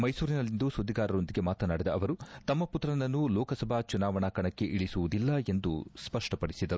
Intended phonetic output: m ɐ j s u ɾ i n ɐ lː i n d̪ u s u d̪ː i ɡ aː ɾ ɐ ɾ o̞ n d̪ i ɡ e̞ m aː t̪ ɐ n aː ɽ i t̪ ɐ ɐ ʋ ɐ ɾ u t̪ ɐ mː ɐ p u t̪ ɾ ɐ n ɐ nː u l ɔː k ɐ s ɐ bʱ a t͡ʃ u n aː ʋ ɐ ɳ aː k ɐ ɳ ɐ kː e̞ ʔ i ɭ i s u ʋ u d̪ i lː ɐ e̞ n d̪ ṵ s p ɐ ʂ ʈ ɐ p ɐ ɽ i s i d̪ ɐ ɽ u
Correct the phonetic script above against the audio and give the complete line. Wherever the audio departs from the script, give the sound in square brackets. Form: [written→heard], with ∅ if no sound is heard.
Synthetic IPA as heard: m ɐ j s [u→uː] ɾ i n ɐ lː i n d̪ u s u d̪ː i ɡ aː ɾ ɐ ɾ o̞ n d̪ i ɡ e̞ m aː t̪ ɐ n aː ɽ i [t̪→d̪] ɐ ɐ ʋ ɐ ɾ u t̪ ɐ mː ɐ p u t̪ ɾ ɐ n ɐ nː u l ɔː k ɐ s ɐ bʱ a t͡ʃ u n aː ʋ ɐ ɳ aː k ɐ ɳ ɐ kː e̞ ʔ i ɭ i s u ʋ u d̪ i lː ɐ e̞ n d̪ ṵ s p ɐ ʂ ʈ ɐ p ɐ ɽ i s i d̪ ɐ [ɽ→ɾ] u